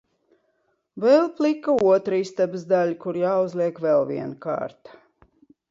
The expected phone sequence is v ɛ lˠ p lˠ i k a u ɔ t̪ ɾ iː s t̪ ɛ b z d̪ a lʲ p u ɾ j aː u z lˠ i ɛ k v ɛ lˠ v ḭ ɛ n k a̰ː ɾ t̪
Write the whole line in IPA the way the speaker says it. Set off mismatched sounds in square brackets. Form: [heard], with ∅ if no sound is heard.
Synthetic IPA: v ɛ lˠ p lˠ i k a u ɔ t̪ ɾ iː s t̪ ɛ b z d̪ a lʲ [k] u ɾ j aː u z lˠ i ɛ k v ɛ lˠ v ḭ ɛ n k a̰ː ɾ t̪